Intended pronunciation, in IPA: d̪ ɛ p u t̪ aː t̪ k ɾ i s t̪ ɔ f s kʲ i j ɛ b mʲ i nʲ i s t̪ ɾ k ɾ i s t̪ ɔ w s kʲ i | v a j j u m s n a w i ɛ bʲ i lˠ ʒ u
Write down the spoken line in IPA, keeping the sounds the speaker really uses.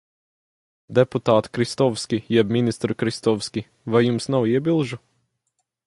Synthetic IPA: d̪ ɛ p u t̪ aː t̪ k ɾ i s t̪ ɔ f s kʲ i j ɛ b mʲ i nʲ i s t̪ ɾ k ɾ i s t̪ ɔ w s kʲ i | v a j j u m s n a w i ɛ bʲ i lˠ ʒ u

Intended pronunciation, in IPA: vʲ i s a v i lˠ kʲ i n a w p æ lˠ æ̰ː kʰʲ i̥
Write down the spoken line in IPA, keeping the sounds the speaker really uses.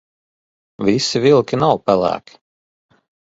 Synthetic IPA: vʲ i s i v i lˠ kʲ i n a w p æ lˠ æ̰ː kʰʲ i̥

